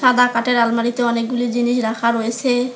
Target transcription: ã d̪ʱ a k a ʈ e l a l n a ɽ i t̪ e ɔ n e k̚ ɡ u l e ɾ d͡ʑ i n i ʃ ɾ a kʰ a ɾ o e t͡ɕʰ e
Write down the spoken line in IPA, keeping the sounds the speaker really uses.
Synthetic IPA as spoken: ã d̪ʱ a k a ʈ e ɾ a l m a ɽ i t̪ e ɔ n e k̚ ɡ u l i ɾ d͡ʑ i n i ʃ ɾ a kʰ a ɾ o e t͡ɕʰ e